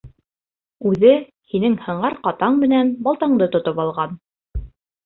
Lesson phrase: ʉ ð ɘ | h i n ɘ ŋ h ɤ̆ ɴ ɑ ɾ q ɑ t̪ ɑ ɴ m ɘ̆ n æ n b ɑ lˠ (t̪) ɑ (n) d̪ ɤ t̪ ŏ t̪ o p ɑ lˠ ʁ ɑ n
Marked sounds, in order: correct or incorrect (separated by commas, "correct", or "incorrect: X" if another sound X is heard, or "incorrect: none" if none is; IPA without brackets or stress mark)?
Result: correct, incorrect: ɴ